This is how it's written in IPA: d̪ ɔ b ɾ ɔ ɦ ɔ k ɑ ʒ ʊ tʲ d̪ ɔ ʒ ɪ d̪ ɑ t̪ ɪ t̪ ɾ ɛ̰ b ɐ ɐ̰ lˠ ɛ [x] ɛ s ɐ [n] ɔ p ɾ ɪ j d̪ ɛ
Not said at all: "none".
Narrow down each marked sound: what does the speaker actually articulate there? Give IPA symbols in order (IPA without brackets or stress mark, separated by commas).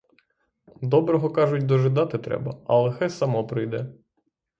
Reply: x, m